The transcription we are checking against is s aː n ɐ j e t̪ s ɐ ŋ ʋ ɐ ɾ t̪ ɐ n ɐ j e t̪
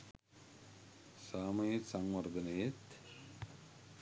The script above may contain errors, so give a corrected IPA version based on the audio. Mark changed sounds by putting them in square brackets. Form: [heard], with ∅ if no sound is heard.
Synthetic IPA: s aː [m] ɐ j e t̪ s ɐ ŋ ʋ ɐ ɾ [d̪] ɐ n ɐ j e t̪

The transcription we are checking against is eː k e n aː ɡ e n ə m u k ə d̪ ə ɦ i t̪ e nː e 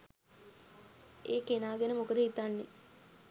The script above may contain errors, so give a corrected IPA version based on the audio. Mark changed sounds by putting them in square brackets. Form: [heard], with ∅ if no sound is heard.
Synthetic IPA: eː k e n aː ɡ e n ə m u k ə d̪ ə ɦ i t̪ [a] nː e

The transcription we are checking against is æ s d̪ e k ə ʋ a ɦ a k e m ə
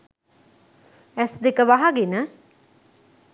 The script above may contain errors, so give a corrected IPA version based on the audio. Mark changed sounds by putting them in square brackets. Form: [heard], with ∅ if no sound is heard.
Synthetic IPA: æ s d̪ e k ə ʋ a ɦ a [ɡ] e [n] ə

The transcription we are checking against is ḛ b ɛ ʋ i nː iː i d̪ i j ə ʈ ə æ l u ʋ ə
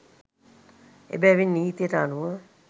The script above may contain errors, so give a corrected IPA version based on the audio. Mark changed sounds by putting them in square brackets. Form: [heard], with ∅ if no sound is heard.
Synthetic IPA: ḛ b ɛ ʋ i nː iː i [t̪] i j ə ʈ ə [a] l u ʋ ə

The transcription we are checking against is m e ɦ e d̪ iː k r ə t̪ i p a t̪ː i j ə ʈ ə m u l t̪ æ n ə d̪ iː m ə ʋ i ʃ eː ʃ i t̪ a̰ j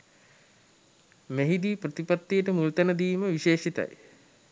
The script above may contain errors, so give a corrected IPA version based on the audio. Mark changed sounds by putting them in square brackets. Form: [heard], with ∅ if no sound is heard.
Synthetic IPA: m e ɦ [i] d̪ iː [p] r ə t̪ i p a t̪ː i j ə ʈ ə m u l t̪ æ n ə d̪ iː m ə ʋ i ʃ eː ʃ i t̪ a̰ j

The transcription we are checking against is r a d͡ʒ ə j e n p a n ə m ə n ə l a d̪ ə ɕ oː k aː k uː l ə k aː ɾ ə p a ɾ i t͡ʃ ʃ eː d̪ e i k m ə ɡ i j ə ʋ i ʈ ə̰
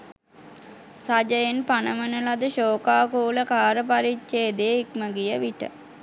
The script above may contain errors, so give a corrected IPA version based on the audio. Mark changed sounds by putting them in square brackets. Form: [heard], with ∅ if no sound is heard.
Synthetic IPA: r a d͡ʒ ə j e n p a n ə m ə n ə l a d̪ ə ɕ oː k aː k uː l ə k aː ɾ ə p a ɾ i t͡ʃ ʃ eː d̪ e i k m ə ɡ i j ə ʋ i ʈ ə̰

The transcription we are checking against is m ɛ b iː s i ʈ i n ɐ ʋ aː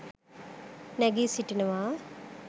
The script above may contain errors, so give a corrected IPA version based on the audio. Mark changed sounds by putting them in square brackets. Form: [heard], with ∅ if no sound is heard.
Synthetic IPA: [n] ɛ [ɡ] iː s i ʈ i n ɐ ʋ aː

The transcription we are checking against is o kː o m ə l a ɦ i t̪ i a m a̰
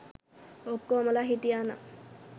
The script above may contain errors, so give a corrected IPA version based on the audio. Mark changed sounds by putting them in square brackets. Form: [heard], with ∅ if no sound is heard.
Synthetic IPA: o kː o m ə l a ɦ i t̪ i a [n] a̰

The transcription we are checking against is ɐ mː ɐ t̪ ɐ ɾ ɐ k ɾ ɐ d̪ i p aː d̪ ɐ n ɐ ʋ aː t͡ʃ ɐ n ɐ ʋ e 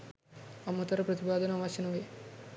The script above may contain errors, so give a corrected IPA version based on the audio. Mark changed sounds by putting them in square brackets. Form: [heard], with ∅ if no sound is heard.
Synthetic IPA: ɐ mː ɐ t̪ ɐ ɾ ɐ [p] ɾ ɐ [t̪] i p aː d̪ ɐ n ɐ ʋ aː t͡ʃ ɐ n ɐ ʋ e

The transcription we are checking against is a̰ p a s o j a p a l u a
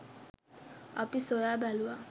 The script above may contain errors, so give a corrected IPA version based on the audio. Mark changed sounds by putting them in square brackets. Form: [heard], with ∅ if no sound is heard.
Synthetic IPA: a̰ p [i] s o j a [b] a l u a

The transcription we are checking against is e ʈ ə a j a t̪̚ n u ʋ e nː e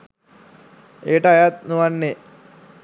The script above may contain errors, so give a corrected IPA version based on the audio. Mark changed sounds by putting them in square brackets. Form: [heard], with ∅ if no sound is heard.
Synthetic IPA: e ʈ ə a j a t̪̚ n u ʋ [a] nː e

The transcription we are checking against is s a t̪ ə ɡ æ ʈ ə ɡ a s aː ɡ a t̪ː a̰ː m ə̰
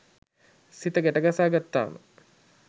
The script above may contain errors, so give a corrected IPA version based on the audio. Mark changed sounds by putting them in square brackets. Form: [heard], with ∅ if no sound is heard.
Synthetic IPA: s [i] t̪ ə ɡ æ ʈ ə ɡ a s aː ɡ a t̪ː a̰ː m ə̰

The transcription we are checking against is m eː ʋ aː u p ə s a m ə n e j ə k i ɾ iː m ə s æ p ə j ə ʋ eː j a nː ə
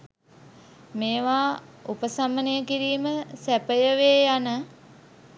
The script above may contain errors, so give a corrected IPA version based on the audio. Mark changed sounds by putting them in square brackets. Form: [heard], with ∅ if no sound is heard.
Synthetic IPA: m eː ʋ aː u p ə s a m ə n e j ə k i ɾ iː m ə s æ p ə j ə ʋ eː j a [n] ə

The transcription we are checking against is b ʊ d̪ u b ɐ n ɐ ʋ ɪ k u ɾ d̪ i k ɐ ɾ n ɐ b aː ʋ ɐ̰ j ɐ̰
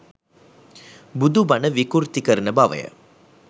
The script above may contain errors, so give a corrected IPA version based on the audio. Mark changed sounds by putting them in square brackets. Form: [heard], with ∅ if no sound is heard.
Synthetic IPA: b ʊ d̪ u b ɐ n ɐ ʋ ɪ k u ɾ [t̪] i k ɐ ɾ n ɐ b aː ʋ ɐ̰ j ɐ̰

